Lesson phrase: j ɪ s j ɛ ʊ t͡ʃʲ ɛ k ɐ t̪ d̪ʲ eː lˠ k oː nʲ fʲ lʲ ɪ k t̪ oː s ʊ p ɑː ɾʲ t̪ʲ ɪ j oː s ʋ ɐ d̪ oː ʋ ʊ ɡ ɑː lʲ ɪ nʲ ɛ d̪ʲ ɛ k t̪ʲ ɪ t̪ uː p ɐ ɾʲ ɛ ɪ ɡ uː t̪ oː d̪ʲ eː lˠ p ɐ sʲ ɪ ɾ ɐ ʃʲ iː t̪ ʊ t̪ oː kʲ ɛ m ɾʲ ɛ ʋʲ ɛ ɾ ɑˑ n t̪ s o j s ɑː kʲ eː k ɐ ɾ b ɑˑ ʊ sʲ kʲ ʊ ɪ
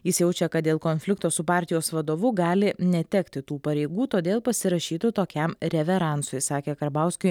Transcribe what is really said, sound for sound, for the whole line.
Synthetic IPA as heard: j ɪ s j ɛ ʊ t͡ʃʲ ɛ k ɐ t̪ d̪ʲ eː lˠ k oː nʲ fʲ lʲ ɪ k t̪ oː s ʊ p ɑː ɾʲ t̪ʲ ɪ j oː s ʋ ɐ d̪ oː ʋ ʊ ɡ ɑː lʲ ɪ nʲ ɛ t̪ʲ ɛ k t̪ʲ ɪ t̪ uː p ɐ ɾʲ ɛ ɪ ɡ uː t̪ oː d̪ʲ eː lˠ p ɐ sʲ ɪ ɾ ɐ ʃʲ iː t̪ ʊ t̪ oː kʲ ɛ m ɾʲ ɛ ʋʲ ɛ ɾ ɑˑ n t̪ s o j s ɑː kʲ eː k ɐ ɾ b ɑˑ ʊ sʲ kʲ ʊ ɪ

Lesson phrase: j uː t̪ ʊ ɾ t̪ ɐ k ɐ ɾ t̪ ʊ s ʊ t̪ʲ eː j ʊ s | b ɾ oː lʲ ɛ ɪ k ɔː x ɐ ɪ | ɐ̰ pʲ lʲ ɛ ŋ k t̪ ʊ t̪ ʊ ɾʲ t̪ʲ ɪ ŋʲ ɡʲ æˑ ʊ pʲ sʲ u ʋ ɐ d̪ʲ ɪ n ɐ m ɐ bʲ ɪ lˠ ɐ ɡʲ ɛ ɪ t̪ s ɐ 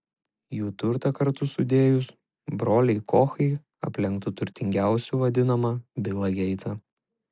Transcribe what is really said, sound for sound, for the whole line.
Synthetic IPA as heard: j uː t̪ ʊ ɾ t̪ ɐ k ɐ ɾ t̪ ʊ s ʊ d̪ʲ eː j ʊ s | b ɾ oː lʲ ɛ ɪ k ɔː x ɐ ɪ | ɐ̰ pʲ lʲ ɛ ŋ k t̪ ʊ t̪ ʊ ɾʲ t̪ʲ ɪ ŋʲ ɡʲ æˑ ʊ sʲ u ʋ ɐ d̪ʲ ɪ n ɐ m ɐ bʲ ɪ lˠ ɐ ɡʲ ɛ ɪ t̪ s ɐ

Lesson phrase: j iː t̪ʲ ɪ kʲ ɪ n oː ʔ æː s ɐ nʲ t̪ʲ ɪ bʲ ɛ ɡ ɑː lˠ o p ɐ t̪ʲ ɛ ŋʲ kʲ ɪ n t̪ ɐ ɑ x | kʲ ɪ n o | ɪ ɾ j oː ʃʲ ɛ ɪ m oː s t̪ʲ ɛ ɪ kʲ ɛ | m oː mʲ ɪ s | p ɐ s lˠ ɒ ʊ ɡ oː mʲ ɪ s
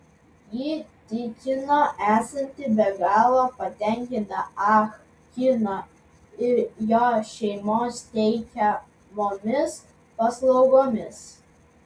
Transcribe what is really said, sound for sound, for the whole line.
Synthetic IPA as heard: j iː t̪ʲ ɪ kʲ ɪ n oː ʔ æː s ɐ nʲ t̪ʲ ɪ bʲ ɛ ɡ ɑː lˠ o p ɐ t̪ʲ ɛ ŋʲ kʲ ɪ n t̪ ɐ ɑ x | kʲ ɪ n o | ɪ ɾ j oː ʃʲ ɛ ɪ m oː s t̪ʲ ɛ ɪ kʲ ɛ | m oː mʲ ɪ s | p ɐ s lˠ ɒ ʊ ɡ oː mʲ ɪ s

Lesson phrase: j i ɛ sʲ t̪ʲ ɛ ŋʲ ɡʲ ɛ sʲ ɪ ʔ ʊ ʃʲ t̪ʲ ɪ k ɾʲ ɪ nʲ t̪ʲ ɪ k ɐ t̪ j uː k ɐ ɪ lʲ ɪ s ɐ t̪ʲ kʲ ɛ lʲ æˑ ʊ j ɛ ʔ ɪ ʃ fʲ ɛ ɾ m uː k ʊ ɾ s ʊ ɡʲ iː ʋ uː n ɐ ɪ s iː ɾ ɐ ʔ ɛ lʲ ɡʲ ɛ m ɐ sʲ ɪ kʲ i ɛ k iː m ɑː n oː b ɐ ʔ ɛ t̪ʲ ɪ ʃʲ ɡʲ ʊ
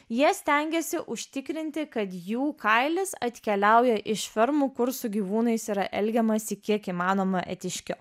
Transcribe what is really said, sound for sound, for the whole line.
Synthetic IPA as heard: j i ɛ sʲ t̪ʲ ɛ ŋʲ ɡʲ ɛ sʲ ɪ ʔ ʊ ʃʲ t̪ʲ ɪ k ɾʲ ɪ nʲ t̪ʲ ɪ k ɐ t̪ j uː k ɐ ɪ lʲ ɪ s ɐ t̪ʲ kʲ ɛ lʲ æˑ ʊ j ɛ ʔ ɪ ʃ fʲ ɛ ɾ m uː k ʊ ɾ s ʊ ɡʲ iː ʋ uː n ɐ ɪ s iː ɾ ɐ ʔ ɛ lʲ ɡʲ ɛ m ɐ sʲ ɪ kʲ i ɛ k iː m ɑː n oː m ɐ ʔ ɛ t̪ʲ ɪ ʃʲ kʲ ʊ

